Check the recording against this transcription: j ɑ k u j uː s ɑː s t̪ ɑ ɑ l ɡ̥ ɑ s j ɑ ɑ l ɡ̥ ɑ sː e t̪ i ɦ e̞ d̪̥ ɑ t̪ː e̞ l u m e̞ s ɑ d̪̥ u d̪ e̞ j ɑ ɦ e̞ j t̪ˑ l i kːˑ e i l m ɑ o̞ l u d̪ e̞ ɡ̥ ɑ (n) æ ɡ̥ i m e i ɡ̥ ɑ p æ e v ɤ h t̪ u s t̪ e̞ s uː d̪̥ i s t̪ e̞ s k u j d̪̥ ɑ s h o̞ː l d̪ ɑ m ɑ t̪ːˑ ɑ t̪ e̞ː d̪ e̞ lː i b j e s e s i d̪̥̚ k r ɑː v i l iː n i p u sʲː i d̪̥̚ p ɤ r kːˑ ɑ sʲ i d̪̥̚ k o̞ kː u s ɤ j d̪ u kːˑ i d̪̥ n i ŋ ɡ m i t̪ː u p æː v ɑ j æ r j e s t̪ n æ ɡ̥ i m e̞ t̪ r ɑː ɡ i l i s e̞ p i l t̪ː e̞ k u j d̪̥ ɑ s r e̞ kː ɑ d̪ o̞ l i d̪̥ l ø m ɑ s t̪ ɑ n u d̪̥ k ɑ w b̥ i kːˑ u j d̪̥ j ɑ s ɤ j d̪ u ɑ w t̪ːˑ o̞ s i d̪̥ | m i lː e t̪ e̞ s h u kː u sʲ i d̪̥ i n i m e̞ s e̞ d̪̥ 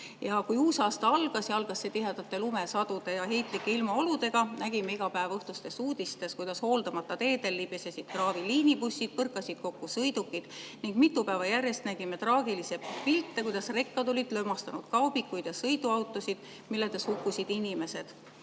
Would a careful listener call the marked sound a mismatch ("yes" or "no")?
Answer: no